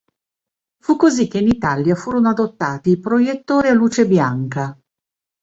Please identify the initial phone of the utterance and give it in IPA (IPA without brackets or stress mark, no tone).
f